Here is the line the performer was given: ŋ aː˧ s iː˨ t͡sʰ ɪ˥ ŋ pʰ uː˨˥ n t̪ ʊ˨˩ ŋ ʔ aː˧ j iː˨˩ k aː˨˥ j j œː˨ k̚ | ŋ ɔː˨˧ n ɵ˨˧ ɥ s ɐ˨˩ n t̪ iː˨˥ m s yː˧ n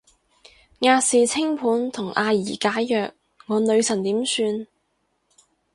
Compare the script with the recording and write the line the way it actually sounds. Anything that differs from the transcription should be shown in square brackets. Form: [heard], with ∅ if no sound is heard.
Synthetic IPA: ŋ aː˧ s iː˨ t͡sʰ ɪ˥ ŋ pʰ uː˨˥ n [t̪ʰ] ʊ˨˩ ŋ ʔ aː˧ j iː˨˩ k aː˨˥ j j œː˨ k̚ | ŋ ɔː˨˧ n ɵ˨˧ ɥ s ɐ˨˩ n t̪ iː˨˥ m s yː˧ n